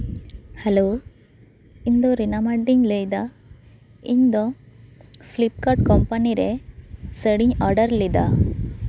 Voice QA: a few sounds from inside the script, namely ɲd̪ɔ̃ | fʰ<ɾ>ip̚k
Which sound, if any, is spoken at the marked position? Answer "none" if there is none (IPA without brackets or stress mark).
l